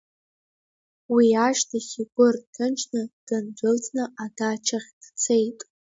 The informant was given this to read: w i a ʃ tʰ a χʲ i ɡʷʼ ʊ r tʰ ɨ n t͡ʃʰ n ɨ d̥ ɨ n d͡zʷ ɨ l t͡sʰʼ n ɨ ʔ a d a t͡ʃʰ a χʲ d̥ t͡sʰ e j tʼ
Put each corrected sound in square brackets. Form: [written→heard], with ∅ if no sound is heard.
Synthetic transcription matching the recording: w i a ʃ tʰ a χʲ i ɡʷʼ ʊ r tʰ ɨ n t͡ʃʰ n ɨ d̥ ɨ n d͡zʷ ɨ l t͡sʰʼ n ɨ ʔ a d a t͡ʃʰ a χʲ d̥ t͡sʰ e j tʼ